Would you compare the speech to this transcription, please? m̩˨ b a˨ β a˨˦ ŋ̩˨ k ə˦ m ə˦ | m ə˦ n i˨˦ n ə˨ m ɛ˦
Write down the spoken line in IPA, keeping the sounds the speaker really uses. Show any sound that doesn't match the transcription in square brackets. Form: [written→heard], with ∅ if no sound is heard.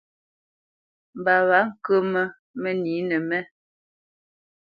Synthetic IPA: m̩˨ b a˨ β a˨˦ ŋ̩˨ k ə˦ m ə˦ | m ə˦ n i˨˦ n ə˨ m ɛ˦